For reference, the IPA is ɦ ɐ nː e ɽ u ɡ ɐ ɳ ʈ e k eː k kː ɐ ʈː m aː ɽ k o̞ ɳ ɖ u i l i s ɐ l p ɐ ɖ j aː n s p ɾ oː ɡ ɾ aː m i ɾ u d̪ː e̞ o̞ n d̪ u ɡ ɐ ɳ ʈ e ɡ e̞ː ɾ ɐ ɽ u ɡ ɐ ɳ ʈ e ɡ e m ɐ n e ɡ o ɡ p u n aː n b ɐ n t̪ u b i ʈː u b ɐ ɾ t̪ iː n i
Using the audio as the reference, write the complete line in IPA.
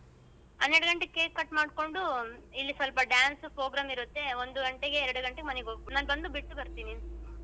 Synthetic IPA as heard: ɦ ɐ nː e ɽ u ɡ ɐ ɳ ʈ e k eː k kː ɐ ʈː m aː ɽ k o̞ ɳ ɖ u i lː i s ɐ l p ɐ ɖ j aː n s p ɾ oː ɡ ɾ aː m i ɾ u t̪ː e̞ o̞ n d̪ u ɡ ɐ ɳ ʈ e ɡ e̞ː ɾ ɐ ɽ u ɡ ɐ ɳ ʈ e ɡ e m ɐ n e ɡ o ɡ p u n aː n b ɐ n d̪ u b i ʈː u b ɐ ɾ t̪ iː n i

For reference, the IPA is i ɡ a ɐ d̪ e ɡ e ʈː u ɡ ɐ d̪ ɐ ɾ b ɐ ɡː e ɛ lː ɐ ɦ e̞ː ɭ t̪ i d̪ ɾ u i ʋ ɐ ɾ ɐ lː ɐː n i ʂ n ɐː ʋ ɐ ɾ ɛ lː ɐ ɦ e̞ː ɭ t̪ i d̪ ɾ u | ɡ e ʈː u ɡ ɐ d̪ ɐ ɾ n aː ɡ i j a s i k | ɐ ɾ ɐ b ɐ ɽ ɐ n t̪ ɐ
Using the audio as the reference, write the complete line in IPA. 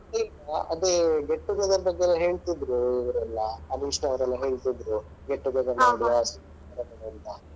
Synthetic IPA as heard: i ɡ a ɐ d̪ e ɡ e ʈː u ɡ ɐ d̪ ɐ ɾ b ɐ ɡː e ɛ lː ɐ ɦ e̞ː ɭ t̪ i d̪ ɾ u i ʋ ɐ ɾ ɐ lː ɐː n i ʂ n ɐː ʋ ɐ ɾ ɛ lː ɐ ɦ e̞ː ɭ t̪ i d̪ ɾ u | ɡ e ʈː u ɡ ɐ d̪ ɐ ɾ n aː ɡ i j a s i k | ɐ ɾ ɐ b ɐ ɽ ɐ n t̪ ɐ

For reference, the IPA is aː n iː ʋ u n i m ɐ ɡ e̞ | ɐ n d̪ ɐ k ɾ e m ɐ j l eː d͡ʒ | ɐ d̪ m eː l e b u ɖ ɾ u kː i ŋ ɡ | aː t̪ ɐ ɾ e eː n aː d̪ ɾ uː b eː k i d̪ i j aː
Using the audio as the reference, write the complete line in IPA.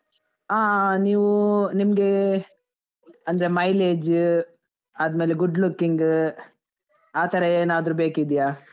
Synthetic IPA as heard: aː n iː ʋ u n i m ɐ ɡ e̞ | ɐ n d̪ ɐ ɾ e m ɐ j l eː d͡ʒ | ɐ d̪ m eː l e ɡ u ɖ l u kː i ŋ ɡ | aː t̪ ɐ ɾ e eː n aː d̪ ɾ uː b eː k i d̪ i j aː

